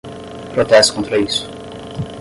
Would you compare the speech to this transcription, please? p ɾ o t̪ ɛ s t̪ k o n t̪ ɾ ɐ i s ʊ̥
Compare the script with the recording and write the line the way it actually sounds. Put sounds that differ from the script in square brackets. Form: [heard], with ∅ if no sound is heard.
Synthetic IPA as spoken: p ɾ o t̪ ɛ s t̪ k [õ] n t̪ ɾ ɐ i s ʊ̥